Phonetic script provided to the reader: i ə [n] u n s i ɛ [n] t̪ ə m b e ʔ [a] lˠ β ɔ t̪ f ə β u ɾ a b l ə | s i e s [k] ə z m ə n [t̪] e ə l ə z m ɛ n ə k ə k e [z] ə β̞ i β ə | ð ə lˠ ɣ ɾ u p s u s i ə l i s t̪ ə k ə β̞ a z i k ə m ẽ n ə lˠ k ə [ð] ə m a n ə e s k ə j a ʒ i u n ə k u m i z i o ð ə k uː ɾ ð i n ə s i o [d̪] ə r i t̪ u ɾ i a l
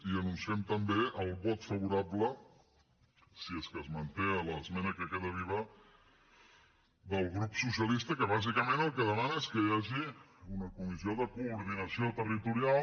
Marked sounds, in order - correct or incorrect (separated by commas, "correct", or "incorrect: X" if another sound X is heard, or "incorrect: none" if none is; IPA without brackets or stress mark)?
correct, incorrect: m, incorrect: ə, correct, correct, incorrect: ð, correct, incorrect: t̪